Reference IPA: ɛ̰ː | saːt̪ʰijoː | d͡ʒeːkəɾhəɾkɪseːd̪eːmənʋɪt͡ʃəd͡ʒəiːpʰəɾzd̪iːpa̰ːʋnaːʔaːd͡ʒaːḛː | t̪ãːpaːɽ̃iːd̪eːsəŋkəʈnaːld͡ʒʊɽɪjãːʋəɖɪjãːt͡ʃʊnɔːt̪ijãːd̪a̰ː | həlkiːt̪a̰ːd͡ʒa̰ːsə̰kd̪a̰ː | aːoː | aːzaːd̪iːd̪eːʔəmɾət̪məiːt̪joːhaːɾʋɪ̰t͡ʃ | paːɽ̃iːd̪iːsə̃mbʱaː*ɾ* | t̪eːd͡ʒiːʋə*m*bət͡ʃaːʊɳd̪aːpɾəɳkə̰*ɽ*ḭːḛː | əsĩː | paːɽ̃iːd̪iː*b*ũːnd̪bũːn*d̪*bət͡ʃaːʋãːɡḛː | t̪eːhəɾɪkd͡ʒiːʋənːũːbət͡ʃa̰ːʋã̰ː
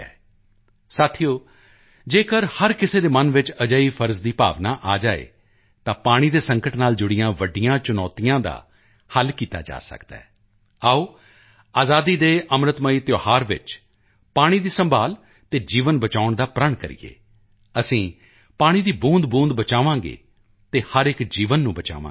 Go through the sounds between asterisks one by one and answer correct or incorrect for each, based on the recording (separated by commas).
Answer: incorrect, incorrect, incorrect, correct, correct